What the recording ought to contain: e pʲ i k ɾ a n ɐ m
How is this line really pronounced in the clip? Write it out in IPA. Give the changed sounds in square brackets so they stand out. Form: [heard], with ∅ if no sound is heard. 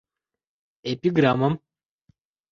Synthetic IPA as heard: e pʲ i [ɡ] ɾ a [m] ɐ m